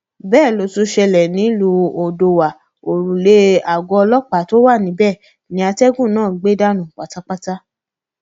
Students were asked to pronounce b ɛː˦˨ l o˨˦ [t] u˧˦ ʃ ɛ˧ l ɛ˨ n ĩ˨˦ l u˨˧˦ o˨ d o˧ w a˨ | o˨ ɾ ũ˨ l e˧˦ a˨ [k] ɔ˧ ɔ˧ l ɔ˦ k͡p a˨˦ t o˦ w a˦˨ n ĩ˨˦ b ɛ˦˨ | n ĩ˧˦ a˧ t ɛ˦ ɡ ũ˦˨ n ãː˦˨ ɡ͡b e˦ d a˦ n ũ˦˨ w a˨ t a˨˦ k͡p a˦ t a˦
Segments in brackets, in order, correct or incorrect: correct, incorrect

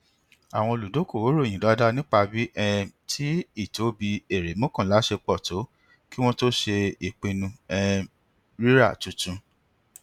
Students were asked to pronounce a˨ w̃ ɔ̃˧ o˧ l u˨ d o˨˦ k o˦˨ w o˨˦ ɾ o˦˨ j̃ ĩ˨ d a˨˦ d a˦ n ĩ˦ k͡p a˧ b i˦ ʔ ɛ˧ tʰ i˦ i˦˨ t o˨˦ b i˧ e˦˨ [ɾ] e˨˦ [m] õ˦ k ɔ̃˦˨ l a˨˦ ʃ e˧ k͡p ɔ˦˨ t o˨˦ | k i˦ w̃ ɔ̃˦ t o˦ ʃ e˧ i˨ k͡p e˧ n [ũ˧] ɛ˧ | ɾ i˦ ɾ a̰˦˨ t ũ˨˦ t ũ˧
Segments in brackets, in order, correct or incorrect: correct, correct, correct

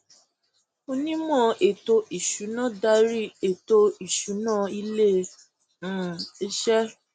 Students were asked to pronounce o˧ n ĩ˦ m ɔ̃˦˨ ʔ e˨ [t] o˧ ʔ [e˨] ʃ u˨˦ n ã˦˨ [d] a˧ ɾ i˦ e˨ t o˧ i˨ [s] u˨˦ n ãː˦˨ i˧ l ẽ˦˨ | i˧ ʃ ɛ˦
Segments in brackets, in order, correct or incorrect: correct, incorrect, correct, incorrect

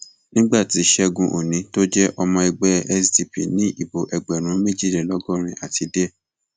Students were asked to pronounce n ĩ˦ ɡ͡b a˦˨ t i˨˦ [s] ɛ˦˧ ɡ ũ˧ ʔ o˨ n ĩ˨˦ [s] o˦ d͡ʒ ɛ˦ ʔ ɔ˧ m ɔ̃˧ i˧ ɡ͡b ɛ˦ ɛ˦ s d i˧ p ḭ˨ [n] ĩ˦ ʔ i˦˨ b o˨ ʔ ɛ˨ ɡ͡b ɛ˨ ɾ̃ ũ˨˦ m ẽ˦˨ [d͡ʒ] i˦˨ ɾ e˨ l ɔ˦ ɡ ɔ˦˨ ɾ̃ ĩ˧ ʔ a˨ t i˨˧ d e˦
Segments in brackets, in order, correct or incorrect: incorrect, incorrect, correct, correct

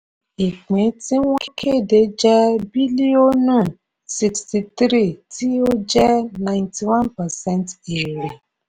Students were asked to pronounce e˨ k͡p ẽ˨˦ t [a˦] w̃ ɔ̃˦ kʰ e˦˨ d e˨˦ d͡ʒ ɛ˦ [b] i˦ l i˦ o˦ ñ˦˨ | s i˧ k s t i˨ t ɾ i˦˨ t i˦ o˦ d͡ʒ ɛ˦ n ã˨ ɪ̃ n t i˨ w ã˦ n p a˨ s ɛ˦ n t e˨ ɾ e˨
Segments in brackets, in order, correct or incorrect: incorrect, correct

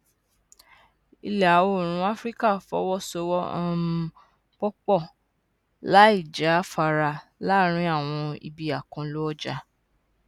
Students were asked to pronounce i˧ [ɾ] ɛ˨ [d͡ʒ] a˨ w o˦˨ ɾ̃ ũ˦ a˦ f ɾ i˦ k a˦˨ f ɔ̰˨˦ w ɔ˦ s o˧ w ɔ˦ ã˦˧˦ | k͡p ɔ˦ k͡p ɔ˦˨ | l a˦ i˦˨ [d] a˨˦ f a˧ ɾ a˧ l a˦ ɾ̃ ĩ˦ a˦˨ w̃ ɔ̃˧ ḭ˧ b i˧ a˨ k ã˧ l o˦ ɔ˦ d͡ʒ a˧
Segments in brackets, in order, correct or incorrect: incorrect, incorrect, incorrect

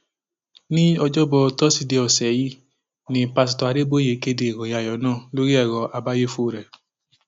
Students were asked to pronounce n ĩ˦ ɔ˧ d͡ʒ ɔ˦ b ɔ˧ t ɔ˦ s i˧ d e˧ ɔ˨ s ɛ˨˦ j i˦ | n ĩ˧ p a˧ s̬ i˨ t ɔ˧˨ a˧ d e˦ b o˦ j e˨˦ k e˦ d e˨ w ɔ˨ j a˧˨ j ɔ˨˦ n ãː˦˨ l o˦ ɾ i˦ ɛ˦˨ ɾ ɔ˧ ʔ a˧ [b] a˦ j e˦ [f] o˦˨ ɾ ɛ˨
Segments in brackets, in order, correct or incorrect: correct, correct

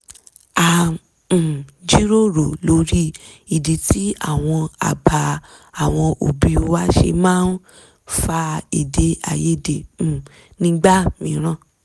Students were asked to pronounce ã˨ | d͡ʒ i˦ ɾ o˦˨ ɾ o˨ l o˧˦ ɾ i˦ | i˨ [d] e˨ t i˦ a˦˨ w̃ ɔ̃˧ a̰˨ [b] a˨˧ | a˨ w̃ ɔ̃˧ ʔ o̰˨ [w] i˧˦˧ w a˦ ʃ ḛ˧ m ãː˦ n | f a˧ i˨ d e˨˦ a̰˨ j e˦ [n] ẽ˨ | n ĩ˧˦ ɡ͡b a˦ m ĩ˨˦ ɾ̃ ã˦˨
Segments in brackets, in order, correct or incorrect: correct, correct, incorrect, incorrect

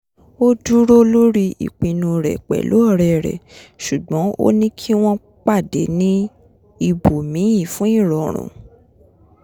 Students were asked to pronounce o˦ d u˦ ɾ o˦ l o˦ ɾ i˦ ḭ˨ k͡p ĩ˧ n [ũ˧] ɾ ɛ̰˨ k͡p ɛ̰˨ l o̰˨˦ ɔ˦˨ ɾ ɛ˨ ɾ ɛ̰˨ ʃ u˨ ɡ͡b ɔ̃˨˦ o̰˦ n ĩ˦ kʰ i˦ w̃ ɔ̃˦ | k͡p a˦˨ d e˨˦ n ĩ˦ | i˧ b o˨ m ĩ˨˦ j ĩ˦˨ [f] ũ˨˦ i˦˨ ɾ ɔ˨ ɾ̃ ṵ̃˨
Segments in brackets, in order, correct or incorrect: correct, correct

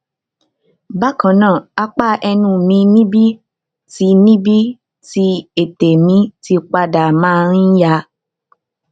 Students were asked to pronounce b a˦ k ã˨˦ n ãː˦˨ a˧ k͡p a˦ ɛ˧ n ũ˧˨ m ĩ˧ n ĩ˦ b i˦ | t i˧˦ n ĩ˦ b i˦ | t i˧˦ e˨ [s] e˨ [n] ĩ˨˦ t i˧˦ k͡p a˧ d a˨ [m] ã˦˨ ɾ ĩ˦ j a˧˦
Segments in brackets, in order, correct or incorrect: incorrect, incorrect, correct

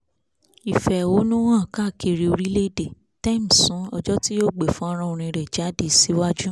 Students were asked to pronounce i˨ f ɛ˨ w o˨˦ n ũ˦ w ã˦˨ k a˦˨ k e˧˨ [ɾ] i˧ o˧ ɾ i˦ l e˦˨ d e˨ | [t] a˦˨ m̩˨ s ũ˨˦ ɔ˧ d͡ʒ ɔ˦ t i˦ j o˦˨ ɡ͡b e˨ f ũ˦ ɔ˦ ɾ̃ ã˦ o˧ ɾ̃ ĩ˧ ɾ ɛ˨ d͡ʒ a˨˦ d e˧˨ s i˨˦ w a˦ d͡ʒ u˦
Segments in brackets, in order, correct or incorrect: correct, correct

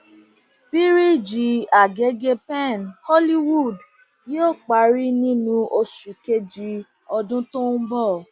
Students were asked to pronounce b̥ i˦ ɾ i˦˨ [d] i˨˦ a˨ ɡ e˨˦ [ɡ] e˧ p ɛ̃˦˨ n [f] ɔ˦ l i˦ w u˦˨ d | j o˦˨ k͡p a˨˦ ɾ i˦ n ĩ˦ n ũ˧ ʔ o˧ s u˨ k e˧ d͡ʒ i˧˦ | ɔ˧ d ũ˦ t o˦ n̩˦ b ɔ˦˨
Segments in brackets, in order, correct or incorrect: incorrect, correct, incorrect

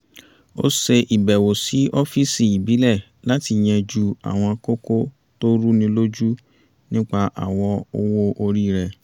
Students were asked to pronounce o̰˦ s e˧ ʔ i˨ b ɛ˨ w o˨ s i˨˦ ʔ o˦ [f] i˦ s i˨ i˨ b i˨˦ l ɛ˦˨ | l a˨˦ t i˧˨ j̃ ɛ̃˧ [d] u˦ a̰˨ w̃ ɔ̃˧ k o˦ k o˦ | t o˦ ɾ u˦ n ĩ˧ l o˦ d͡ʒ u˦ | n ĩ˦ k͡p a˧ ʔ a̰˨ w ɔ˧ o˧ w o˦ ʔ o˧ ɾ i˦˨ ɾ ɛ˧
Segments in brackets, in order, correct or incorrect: correct, incorrect

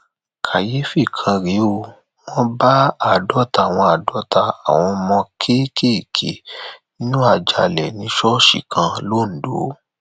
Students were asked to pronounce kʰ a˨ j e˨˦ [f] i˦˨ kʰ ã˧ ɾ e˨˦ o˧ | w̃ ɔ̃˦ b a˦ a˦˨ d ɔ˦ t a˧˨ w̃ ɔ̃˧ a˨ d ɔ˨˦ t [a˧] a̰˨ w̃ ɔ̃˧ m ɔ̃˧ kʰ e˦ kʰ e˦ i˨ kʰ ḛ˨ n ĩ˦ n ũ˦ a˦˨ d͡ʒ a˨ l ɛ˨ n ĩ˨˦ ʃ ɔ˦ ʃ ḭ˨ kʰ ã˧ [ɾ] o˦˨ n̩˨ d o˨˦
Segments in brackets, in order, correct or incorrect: correct, correct, incorrect

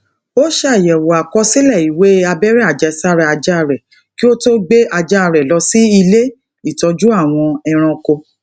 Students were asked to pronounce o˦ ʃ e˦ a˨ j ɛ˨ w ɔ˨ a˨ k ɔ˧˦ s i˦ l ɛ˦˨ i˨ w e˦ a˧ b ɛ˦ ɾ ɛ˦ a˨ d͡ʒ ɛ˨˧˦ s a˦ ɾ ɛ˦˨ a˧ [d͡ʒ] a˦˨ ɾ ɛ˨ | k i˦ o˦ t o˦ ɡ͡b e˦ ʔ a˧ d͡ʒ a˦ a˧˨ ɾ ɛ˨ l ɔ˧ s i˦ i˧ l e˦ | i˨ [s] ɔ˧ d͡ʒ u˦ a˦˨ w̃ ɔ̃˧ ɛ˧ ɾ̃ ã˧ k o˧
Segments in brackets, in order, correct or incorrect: correct, incorrect

